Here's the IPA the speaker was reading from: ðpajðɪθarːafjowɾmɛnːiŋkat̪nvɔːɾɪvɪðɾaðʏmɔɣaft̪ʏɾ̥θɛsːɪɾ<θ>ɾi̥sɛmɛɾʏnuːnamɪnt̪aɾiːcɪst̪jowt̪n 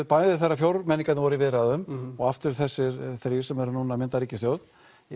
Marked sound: correct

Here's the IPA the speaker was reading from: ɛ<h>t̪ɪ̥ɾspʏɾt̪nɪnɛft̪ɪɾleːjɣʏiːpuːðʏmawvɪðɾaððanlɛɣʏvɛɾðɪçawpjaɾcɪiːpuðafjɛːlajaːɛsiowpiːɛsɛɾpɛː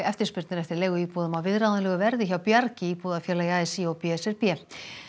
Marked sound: incorrect: f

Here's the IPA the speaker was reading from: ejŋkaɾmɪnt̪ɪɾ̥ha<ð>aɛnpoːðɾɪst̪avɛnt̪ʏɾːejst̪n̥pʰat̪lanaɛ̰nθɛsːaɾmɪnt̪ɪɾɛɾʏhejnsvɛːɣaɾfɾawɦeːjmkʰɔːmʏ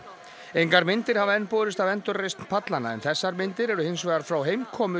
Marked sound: incorrect: v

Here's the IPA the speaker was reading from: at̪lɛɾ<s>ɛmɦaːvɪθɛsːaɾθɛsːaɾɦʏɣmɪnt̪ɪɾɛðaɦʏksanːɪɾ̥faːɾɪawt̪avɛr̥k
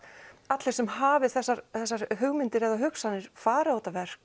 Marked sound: correct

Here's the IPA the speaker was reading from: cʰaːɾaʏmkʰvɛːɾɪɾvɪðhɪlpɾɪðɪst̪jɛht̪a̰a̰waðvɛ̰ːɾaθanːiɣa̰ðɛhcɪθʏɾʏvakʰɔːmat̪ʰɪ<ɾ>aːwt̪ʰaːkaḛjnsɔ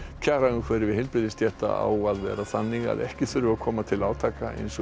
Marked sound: incorrect: l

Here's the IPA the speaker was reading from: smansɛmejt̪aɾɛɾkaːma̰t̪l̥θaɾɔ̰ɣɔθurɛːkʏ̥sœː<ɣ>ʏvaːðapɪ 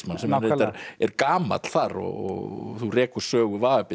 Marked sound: correct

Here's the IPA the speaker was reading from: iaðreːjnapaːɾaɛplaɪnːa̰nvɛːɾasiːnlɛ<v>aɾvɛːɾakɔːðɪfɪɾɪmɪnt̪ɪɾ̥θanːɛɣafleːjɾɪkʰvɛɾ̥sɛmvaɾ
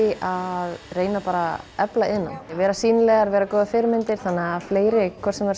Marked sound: incorrect: ɣ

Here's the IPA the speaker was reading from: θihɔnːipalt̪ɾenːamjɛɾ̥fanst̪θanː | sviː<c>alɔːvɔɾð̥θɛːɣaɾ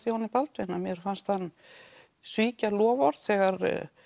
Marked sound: correct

